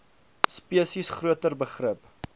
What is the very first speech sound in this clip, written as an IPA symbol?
s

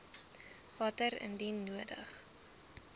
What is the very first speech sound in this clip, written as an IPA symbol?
v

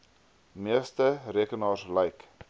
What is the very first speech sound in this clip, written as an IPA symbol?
m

